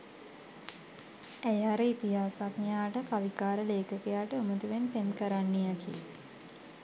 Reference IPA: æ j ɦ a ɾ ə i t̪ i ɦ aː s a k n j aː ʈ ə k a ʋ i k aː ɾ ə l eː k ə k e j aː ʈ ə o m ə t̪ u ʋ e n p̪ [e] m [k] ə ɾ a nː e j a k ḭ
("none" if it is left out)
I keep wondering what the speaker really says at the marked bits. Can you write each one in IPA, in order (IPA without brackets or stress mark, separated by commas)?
e, k